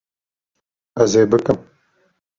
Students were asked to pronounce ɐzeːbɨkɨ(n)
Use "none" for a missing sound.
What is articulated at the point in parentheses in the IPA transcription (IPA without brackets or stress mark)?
m